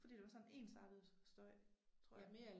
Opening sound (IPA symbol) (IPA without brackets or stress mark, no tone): f